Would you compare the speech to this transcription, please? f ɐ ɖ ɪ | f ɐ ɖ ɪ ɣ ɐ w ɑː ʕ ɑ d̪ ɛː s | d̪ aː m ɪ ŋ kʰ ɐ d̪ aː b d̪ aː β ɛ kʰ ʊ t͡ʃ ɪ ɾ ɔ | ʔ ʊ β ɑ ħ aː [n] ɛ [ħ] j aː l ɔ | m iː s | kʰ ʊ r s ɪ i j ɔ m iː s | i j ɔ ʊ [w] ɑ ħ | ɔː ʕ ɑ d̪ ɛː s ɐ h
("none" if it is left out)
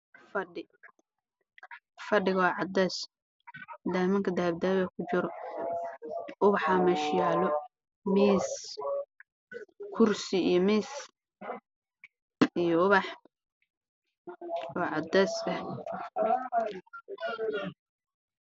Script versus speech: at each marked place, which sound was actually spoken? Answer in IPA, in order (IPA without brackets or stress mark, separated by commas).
m, ʃ, β